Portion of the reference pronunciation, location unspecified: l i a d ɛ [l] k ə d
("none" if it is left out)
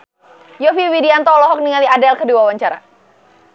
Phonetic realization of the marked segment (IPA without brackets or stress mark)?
l